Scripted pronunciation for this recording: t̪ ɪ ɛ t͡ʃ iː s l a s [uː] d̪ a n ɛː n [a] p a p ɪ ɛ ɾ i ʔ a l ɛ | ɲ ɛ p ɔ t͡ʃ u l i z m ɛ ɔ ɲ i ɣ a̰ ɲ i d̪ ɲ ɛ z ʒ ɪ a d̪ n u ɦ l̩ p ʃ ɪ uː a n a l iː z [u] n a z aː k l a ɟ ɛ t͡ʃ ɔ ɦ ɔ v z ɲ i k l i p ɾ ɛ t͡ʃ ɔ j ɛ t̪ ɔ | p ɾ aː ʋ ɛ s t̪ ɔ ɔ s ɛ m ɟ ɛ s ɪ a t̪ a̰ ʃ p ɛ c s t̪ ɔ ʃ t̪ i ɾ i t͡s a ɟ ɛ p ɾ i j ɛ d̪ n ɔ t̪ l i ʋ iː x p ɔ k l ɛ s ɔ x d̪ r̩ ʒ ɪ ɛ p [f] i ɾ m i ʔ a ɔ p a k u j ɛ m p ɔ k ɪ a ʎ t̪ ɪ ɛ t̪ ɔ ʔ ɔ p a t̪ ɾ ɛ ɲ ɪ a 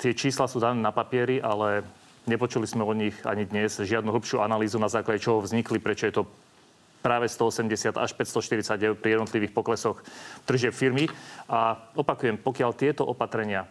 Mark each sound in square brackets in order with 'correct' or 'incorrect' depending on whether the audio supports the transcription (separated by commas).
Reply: correct, correct, correct, correct